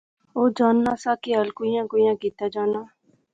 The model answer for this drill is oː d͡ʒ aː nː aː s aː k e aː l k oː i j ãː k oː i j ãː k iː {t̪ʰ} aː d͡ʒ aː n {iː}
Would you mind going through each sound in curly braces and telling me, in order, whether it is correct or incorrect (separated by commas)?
incorrect, incorrect